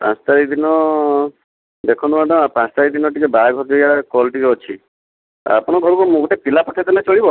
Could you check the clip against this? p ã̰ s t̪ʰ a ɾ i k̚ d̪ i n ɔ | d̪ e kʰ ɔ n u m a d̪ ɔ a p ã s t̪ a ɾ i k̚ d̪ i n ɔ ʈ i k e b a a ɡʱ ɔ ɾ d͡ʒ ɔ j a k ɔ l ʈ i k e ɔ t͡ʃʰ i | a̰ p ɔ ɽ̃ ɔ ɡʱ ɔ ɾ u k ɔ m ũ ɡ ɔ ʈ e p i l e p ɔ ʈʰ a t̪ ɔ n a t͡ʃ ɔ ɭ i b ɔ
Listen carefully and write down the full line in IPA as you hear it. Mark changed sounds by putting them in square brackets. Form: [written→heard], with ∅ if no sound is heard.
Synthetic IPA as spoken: p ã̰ s [t̪ʰ→t̪] a ɾ i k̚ d̪ i n ɔ | d̪ e kʰ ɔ n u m a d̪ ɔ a p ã s t̪ a ɾ i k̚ d̪ i n ɔ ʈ i k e b a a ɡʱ ɔ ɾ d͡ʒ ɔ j a k ɔ l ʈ i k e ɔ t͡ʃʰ i | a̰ p ɔ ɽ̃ ɔ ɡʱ ɔ ɾ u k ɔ m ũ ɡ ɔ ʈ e p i l [e→a] p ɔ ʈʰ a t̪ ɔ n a t͡ʃ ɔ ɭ i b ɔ